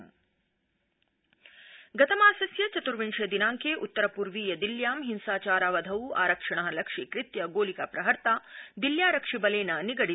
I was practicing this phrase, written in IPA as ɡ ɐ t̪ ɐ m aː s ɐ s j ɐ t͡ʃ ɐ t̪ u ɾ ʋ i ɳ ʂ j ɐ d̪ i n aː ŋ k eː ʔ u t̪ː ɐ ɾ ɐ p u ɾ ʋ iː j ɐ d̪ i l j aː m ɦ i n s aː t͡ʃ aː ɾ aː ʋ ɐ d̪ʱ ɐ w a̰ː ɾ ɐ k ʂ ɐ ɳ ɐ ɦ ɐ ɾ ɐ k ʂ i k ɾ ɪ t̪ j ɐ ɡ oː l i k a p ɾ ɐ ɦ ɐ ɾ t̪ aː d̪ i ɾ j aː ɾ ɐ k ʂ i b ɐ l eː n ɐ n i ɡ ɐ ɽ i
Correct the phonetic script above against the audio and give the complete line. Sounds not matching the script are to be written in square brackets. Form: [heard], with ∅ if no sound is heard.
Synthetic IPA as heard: ɡ ɐ t̪ ɐ m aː s ɐ s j ɐ t͡ʃ ɐ t̪ u ɾ ʋ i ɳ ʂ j ɐ d̪ i n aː ŋ k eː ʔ u t̪ː ɐ ɾ ɐ p u ɾ ʋ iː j ɐ d̪ i l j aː m ɦ i n s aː t͡ʃ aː ɾ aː ʋ ɐ d̪ʱ ɐ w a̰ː ɾ ɐ k ʂ ɐ ɳ ɐ ɦ ɐ [l] ɐ k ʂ i k ɾ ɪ t̪ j ɐ ɡ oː l i k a p ɾ ɐ ɦ ɐ ɾ t̪ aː d̪ i [l] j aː ɾ ɐ k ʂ i b ɐ l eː n ɐ n i ɡ ɐ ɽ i